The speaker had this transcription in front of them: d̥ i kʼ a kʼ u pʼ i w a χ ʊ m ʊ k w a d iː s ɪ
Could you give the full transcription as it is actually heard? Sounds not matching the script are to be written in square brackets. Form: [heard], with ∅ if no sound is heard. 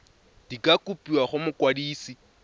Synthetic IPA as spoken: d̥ i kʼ a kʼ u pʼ i w a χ ʊ m ʊ k w a d iː s [i]